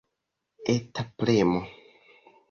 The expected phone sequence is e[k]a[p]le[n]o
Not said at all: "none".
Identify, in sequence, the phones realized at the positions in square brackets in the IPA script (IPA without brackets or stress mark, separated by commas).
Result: t, p, m